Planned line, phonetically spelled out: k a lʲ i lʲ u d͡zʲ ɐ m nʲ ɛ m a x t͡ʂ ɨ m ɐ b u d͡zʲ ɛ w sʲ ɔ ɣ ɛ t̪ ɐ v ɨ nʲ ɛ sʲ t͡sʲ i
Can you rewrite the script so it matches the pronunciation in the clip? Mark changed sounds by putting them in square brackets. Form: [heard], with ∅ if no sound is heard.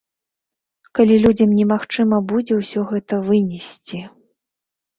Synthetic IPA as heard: k a lʲ i lʲ u d͡zʲ ɐ m nʲ ɛ m a x t͡ʂ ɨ m ɐ b u d͡zʲ ɛ w sʲ ɔ ɣ ɛ t̪ ɐ v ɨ nʲ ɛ sʲ t͡sʲ i